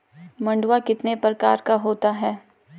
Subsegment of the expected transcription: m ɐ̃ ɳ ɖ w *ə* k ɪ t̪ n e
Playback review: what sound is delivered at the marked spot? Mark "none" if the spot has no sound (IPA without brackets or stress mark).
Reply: a